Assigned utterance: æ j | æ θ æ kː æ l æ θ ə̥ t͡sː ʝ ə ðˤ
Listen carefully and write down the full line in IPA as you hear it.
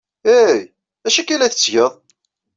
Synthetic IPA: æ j | æ ʃ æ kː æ l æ θ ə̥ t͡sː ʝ ə ðˤ